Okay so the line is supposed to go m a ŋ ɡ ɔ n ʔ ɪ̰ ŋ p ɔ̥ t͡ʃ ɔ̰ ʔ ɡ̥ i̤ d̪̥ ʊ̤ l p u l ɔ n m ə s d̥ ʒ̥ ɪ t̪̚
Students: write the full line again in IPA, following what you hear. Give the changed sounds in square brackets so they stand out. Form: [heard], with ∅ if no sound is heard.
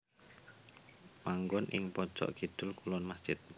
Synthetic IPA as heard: m a ŋ ɡ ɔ n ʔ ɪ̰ ŋ p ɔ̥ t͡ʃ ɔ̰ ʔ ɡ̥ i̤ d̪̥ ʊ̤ l [k] u l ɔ n m [a] s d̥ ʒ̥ ɪ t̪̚